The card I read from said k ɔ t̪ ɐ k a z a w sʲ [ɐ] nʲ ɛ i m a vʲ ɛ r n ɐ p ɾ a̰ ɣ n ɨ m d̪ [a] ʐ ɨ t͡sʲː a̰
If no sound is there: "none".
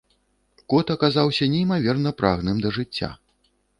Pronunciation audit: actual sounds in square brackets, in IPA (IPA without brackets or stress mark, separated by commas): ɐ, ɐ